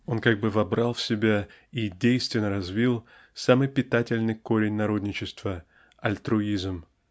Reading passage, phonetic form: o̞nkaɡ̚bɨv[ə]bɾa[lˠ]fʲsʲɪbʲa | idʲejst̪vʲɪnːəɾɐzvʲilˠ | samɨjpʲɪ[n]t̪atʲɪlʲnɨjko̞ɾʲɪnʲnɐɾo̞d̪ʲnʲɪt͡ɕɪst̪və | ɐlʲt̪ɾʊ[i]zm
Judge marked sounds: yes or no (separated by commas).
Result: no, yes, no, yes